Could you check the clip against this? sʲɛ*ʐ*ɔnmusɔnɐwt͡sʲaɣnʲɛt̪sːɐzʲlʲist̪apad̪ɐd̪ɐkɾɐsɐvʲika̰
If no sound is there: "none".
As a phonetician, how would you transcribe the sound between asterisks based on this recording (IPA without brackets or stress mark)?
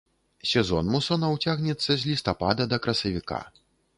z